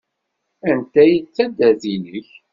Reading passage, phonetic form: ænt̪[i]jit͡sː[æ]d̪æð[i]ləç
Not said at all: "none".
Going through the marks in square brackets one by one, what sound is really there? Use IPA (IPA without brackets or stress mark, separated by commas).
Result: æ, æ, i